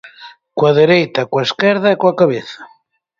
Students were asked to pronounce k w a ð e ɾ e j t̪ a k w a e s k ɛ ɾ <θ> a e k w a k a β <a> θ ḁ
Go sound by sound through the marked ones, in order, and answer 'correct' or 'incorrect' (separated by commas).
incorrect, incorrect